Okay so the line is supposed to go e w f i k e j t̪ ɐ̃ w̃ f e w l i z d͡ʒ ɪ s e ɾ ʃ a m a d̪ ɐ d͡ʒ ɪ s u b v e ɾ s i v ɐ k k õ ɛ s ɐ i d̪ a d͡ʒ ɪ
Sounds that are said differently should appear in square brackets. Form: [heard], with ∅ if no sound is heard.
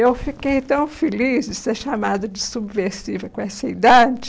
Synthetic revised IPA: e w f i k e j t̪ ɐ̃ w̃ f e [∅] l i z d͡ʒ ɪ s e ɾ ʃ a m a d̪ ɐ d͡ʒ ɪ s u b v e ɾ s i v ɐ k k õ ɛ s ɐ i d̪ a d͡ʒ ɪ